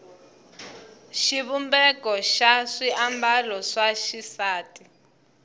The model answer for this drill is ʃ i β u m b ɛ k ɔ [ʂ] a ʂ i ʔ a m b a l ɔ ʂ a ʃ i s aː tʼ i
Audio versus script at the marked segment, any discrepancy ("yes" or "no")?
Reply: yes